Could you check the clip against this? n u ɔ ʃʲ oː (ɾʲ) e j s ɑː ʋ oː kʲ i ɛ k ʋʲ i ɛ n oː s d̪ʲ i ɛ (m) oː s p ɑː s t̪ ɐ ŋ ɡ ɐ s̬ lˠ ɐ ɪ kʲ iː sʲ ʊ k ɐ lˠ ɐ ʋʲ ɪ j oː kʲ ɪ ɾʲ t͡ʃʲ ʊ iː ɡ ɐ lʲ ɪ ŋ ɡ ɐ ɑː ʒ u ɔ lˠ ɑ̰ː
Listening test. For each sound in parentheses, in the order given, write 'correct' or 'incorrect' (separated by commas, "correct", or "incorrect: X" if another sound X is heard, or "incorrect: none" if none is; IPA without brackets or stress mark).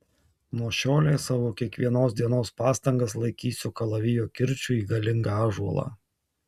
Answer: incorrect: lʲ, incorrect: n